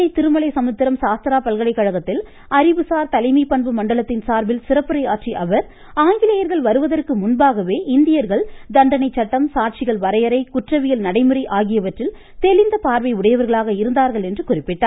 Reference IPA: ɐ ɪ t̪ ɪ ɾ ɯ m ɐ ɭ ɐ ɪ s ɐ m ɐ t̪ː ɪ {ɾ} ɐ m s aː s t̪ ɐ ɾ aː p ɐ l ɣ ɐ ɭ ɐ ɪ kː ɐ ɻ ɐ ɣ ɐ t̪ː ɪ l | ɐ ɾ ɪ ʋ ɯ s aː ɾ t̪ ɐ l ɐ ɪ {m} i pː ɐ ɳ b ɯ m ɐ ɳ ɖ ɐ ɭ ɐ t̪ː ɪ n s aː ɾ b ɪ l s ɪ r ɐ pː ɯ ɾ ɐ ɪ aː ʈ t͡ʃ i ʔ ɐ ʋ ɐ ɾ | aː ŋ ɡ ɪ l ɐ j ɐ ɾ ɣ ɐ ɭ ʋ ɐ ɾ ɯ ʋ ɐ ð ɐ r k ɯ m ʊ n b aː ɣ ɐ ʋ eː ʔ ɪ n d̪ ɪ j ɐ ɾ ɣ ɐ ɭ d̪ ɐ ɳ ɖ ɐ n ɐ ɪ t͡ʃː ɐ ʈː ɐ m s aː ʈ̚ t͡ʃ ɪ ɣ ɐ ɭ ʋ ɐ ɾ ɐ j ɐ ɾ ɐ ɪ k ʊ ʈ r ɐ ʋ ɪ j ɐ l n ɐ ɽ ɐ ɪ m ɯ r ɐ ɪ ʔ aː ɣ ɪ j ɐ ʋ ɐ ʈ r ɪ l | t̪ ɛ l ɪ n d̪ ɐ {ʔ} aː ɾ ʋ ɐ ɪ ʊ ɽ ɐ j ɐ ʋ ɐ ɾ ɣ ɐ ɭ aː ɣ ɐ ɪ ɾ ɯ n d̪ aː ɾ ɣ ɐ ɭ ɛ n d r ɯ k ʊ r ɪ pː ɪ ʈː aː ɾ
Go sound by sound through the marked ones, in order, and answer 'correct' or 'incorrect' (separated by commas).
correct, correct, incorrect